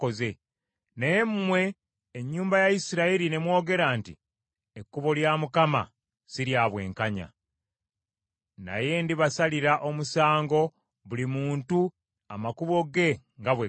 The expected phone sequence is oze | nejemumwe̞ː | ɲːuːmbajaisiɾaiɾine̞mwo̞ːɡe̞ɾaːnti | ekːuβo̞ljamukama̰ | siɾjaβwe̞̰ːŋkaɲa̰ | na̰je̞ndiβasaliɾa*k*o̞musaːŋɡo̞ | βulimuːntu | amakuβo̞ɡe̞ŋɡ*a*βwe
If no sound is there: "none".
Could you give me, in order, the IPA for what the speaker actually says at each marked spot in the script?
ʔ, a

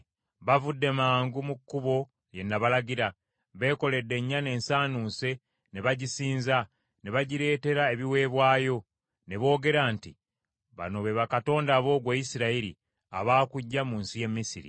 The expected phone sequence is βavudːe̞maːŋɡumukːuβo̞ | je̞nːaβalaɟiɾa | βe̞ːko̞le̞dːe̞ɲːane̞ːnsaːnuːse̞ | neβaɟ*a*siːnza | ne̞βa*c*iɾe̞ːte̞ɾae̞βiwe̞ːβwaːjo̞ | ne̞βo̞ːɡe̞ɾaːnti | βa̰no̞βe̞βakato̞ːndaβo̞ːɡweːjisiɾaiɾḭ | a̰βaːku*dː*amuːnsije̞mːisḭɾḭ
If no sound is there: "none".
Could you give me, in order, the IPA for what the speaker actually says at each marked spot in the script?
i, ɟ, ɟː

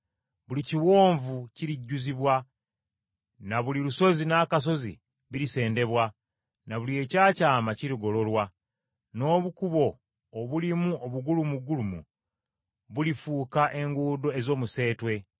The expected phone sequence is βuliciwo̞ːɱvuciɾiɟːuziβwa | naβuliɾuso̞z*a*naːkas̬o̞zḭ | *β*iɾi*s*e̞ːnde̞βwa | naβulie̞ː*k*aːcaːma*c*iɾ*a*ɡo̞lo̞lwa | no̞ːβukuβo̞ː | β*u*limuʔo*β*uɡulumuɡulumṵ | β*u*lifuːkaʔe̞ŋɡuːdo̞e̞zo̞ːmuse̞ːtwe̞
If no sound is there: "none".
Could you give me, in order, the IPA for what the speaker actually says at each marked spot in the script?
i, β, s, c, c, i, u, β, u

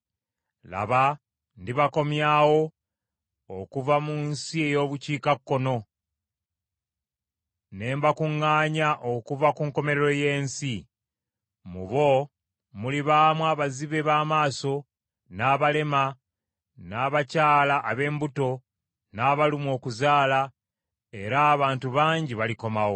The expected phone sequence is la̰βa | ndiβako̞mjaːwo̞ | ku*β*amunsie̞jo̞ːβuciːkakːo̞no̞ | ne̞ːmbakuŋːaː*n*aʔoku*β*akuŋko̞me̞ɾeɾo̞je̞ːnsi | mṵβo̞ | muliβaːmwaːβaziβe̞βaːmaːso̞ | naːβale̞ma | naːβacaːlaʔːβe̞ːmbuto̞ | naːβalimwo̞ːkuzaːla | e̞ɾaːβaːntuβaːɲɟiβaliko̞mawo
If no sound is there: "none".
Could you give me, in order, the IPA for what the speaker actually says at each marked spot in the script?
v, ɲ, v

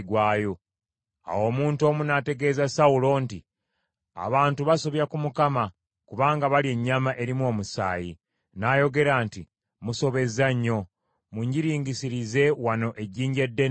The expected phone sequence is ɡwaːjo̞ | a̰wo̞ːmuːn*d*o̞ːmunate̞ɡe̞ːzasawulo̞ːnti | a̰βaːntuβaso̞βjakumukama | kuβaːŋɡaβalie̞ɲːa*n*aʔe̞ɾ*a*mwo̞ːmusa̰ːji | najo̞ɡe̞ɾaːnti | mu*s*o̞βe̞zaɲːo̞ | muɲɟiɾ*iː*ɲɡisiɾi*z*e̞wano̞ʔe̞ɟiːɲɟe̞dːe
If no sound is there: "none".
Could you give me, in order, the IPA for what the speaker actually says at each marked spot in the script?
t, m, i, s, iː, z

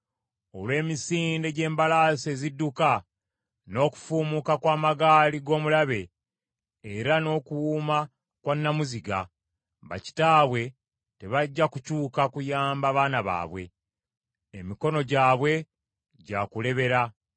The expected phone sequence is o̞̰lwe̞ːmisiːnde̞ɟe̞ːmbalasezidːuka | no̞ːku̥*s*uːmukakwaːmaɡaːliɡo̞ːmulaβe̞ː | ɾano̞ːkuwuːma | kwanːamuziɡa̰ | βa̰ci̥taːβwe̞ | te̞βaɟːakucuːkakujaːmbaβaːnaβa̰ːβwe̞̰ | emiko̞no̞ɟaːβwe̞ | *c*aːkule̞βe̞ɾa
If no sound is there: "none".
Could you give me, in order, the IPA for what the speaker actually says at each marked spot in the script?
f, ɟ

